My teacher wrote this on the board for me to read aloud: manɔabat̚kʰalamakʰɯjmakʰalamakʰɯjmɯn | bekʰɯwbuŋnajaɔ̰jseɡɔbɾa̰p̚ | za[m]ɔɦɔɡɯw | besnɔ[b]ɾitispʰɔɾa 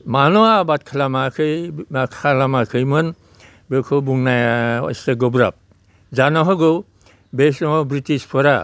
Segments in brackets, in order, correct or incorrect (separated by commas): incorrect, correct